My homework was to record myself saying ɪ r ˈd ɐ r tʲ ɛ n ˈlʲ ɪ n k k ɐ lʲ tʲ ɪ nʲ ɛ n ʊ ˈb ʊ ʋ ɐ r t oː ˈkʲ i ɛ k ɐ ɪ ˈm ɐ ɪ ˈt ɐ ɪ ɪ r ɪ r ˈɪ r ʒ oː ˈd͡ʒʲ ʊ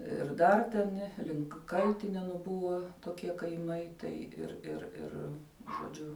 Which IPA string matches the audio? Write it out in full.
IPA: ɪ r ˈd ɐ r tʲ ɛ n ˈlʲ ɪ ŋ k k ɐ lʲ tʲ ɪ nʲ ɛ n ʊ ˈb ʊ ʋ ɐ t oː ˈkʲ i ɛ k ɐ ɪ ˈm ɐ ɪ ˈt ɐ ɪ ɪ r ɪ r ˈɪ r ʒ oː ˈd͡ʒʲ ʊ